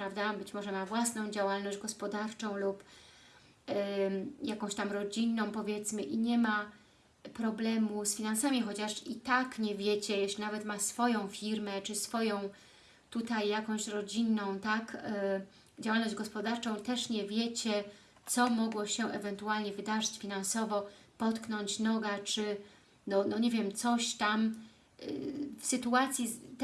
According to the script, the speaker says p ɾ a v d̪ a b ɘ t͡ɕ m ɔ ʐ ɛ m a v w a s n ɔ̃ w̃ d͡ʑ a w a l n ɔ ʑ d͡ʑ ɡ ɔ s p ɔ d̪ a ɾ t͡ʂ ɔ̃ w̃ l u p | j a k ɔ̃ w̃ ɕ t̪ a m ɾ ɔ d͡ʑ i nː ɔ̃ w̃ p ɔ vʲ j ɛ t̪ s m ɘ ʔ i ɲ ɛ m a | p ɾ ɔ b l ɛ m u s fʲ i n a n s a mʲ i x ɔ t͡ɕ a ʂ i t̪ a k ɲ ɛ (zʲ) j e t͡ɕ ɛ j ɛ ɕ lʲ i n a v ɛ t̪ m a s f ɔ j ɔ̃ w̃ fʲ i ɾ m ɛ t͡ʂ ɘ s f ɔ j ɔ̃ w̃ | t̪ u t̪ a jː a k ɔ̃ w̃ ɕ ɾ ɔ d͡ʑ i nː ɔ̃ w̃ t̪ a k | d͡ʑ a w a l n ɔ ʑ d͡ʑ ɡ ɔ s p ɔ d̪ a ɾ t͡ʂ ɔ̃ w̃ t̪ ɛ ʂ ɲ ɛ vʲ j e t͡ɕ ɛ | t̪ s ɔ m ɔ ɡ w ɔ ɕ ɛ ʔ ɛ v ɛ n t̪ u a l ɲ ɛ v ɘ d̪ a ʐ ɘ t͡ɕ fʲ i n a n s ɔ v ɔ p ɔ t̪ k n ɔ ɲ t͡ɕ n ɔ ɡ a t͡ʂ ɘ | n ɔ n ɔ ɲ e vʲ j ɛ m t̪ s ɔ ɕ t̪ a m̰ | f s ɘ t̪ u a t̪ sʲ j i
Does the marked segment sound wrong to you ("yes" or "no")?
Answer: yes